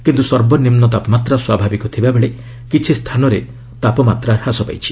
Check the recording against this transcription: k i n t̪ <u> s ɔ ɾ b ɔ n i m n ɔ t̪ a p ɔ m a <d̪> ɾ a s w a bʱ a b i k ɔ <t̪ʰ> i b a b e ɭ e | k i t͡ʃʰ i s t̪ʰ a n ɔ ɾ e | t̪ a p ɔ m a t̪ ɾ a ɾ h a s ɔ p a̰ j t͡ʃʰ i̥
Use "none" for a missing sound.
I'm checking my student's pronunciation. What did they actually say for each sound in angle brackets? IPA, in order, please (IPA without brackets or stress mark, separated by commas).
u, t̪, t̪ʰ